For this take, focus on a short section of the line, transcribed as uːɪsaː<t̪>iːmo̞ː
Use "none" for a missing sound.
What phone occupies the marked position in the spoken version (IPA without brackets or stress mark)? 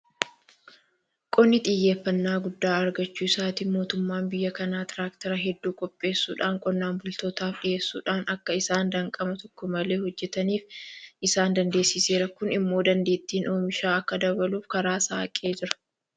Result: t̪